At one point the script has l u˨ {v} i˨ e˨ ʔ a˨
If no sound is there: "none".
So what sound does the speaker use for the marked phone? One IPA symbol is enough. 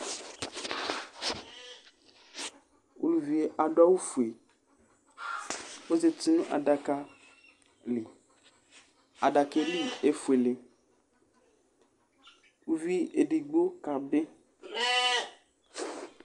v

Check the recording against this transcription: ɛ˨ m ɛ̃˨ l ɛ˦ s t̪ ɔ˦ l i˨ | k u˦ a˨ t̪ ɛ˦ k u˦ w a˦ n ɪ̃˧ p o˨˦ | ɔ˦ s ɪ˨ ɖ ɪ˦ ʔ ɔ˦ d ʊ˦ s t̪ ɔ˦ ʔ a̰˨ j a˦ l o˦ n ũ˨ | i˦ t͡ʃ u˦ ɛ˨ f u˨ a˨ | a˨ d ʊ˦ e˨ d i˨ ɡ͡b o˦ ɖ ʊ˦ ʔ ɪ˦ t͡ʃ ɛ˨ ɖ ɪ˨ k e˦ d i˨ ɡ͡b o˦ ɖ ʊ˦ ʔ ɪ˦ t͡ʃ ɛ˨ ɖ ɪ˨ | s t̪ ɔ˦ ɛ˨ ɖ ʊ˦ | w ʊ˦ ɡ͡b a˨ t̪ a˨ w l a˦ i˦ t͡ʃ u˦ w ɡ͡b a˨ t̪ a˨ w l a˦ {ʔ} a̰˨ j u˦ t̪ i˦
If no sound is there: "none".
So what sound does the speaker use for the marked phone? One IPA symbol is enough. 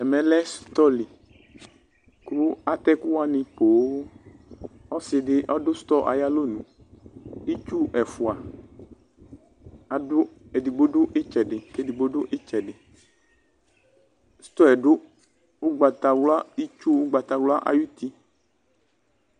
ʔ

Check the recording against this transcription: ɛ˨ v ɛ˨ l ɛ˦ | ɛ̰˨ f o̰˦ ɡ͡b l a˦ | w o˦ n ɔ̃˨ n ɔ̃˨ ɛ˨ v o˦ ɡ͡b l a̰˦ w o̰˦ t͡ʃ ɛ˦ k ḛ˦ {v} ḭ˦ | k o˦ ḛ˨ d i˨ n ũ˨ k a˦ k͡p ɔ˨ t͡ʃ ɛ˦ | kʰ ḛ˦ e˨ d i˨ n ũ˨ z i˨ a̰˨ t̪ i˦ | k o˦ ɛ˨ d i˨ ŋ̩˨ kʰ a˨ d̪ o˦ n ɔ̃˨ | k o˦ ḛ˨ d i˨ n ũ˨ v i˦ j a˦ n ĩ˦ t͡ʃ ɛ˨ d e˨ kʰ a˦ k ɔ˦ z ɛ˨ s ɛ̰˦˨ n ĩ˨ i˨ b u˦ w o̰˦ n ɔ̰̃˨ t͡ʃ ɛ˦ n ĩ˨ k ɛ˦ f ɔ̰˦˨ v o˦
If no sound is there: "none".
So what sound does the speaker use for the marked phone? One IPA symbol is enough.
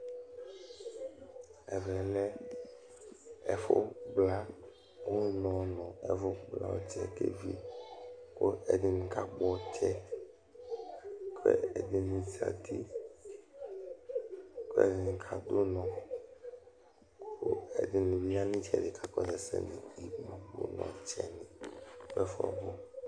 v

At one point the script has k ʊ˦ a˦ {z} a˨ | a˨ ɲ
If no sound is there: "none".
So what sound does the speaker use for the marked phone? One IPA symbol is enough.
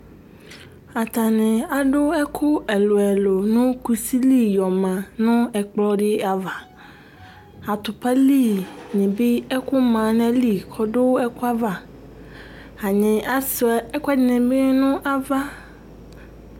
v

